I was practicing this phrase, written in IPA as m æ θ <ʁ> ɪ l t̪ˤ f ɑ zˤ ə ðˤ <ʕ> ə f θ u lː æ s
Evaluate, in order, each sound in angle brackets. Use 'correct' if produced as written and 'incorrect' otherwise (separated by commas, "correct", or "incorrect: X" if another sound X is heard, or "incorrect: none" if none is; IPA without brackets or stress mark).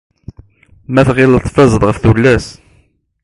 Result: correct, incorrect: ʁ